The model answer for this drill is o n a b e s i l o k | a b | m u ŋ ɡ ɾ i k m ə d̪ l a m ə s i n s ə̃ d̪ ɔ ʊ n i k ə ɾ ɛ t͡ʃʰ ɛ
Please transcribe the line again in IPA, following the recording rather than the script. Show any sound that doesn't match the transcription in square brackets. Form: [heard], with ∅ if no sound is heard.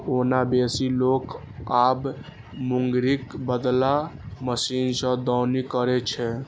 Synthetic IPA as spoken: o n a b e s i l o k | a b | m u ŋ ɡ ɾ i k [b] ə d̪ l a m ə s i n s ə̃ d̪ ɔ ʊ n i k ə ɾ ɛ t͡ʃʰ ɛ